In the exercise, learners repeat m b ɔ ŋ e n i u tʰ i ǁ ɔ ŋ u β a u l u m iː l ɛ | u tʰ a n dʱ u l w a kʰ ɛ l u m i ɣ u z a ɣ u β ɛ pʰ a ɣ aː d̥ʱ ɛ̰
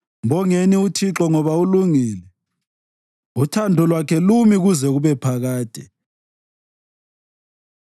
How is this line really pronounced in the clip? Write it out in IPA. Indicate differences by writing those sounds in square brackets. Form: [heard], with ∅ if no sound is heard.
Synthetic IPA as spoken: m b ɔ ŋ e n i u tʰ i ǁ ɔ ŋ [ɔ] β a u l u [ŋ] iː l ɛ | u tʰ a n dʱ [ɔ] l w a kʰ ɛ l u m i ɣ u z [ɛ] ɣ u β ɛ pʰ a ɣ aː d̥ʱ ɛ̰